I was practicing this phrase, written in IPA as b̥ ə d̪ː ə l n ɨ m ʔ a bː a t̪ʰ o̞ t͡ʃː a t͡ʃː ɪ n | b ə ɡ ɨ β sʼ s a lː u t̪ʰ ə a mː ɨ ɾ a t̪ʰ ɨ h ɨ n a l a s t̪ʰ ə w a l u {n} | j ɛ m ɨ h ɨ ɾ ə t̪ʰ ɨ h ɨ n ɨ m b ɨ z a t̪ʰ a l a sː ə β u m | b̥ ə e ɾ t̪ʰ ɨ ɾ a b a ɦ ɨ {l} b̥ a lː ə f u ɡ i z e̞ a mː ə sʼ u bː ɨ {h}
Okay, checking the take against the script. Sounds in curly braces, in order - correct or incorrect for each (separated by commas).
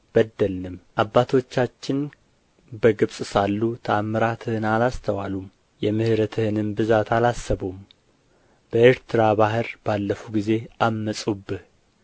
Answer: incorrect, incorrect, correct